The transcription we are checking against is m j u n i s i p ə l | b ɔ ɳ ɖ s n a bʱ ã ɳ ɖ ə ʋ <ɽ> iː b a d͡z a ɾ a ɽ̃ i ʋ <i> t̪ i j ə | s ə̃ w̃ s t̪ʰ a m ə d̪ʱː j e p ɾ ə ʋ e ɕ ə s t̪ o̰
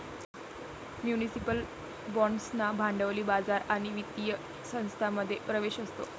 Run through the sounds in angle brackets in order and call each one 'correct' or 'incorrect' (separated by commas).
incorrect, correct